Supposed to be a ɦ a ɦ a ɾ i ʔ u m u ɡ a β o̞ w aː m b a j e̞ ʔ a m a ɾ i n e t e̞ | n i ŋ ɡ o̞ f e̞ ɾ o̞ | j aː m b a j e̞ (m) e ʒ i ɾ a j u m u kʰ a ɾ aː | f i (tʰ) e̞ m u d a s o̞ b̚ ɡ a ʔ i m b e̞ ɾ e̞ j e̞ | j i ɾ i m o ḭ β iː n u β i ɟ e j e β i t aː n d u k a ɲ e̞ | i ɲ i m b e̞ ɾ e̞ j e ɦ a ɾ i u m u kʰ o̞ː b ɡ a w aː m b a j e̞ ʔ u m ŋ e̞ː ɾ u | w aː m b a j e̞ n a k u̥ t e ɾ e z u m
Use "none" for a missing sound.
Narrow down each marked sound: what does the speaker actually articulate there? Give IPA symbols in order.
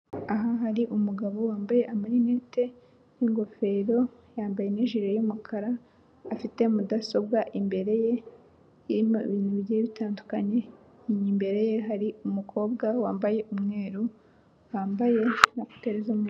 n, t

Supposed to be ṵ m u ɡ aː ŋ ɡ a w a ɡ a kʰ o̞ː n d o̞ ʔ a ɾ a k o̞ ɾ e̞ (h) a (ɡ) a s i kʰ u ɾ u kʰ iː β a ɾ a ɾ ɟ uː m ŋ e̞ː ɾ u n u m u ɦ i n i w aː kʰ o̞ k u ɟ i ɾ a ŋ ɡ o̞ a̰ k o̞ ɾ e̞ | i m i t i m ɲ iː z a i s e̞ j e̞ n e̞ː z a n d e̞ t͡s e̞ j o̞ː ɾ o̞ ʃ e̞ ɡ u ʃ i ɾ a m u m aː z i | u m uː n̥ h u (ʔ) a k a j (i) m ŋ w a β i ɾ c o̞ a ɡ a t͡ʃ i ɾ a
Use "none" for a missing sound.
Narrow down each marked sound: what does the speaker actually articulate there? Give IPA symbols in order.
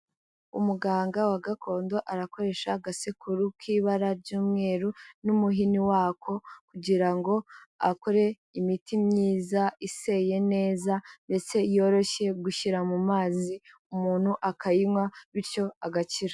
ʃ, ɡ, ʔ, i

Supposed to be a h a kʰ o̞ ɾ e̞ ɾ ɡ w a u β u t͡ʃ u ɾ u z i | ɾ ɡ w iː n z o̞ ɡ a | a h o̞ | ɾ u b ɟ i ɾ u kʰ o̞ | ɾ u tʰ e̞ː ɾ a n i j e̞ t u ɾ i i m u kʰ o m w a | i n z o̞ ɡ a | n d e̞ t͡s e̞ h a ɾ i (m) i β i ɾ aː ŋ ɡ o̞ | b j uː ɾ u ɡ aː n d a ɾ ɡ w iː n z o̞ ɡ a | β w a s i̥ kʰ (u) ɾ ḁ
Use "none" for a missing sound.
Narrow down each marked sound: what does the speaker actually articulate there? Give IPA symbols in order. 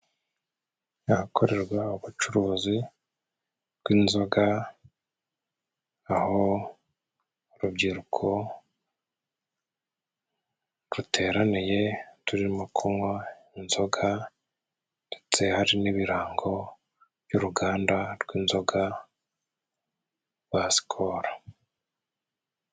n, o

